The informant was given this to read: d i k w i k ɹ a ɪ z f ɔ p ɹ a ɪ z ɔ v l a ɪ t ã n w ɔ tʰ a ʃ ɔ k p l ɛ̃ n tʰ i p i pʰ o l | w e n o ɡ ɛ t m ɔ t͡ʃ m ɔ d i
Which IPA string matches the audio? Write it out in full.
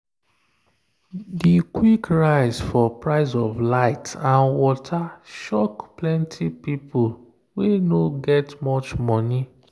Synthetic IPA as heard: d i k w i k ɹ a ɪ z f ɔ p ɹ a ɪ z ɔ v l a ɪ t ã n w ɔ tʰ a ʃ ɔ k p l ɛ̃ n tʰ i p i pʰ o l | w e n o ɡ ɛ t m ɔ t͡ʃ m ɔ n i

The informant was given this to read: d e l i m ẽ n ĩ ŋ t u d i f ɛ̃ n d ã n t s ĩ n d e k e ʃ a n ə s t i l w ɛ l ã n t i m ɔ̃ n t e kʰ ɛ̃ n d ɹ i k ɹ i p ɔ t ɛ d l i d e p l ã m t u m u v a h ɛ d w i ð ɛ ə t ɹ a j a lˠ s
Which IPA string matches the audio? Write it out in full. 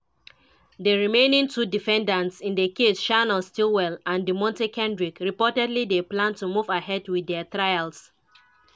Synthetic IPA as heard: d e ɹ i m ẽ n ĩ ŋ t u d i f ɛ̃ n d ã n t s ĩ n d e k e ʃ a n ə s t i l w ɛ l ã n d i m ɔ̃ n t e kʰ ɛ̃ n d ɹ i k ɹ i p ɔ t ɛ d l i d e p l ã n t u m u v a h ɛ d w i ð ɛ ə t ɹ a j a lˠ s

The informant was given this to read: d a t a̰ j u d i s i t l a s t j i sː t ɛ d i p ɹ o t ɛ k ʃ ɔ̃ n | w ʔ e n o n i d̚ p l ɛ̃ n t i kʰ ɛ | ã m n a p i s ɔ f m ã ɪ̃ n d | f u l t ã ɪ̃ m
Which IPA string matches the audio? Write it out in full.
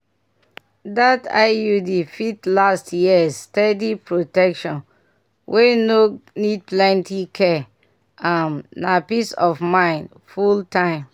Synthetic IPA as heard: d a t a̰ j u d i f i t l a s t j i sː t ɛ d i p ɹ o t ɛ k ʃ ɔ̃ n | w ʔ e n o n i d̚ p l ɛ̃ n t i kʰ ɛ | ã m n a p i s ɔ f m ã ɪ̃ n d | f u l t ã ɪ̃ m

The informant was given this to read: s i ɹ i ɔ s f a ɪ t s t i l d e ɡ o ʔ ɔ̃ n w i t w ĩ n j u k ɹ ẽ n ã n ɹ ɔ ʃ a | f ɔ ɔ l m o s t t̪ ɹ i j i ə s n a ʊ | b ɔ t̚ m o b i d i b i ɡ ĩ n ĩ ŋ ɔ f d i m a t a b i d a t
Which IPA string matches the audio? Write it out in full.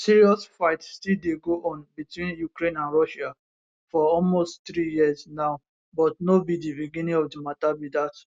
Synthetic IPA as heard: s i ɹ i ɔ s f a ɪ t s t i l d e ɡ o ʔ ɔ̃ n b i t w ĩ n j u k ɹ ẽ n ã n ɹ ɔ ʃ a | f ɔ ɔ l m o s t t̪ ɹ i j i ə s n a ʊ | b ɔ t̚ n o b i d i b i ɡ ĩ n ĩ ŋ ɔ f d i m a t a b i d a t

